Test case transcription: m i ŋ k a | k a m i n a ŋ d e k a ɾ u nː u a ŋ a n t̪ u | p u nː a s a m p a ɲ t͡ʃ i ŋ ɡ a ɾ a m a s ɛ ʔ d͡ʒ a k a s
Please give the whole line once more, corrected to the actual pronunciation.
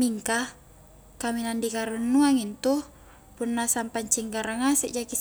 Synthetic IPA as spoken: m i ŋ k a | k a m i n a n d i k a ɾ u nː u a ŋ i n t̪ u | p u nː a s a m p a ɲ t͡ʃ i ŋ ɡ a ɾ a ŋ a s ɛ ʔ d͡ʒ a k i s

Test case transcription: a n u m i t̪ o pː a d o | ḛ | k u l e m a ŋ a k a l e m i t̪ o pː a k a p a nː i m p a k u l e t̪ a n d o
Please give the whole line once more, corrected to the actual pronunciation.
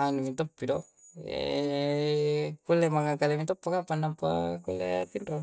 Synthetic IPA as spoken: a n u m i t̪ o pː i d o | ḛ | k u l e m a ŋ a k a l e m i t̪ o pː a k a p a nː a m p a k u l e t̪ i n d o

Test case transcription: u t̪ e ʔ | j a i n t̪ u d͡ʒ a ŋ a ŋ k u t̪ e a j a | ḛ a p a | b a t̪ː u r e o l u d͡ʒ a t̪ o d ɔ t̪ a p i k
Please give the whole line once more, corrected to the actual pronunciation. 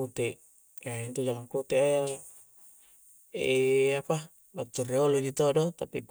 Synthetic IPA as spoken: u t̪ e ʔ | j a i n t̪ u d͡ʒ a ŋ a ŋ k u t̪ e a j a | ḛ a p a | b a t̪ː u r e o l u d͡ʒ i t̪ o d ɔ t̪ a p i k

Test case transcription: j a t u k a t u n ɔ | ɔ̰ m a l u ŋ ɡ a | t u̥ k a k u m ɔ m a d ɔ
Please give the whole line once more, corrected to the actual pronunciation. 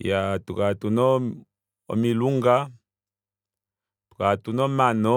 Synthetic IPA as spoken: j a t u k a t u n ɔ | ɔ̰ m i l u ŋ ɡ a | t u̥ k a t u n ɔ m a n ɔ

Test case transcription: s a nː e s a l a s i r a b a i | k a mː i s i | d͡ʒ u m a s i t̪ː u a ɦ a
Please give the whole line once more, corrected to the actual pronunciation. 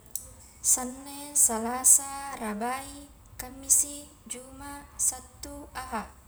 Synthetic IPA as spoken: s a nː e s a l a s a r a b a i | k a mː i s i | d͡ʒ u m a s a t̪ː u a ɦ a

